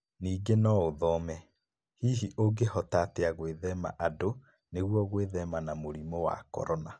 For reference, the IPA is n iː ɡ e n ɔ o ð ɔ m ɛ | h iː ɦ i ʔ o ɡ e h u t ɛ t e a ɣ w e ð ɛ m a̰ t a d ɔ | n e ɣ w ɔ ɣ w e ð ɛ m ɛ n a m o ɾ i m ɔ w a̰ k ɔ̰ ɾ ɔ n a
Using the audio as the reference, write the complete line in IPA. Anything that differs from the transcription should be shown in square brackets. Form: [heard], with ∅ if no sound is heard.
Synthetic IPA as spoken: n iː ɡ e n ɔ o ð ɔ m ɛ | h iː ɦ i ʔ o ɡ e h [ɔ] t [a] t e a ɣ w e ð ɛ m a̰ [ʔ] a d [o] | n e ɣ w ɔ ɣ w e ð ɛ m [a] n a m o ɾ i m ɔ w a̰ k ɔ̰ ɾ ɔ n a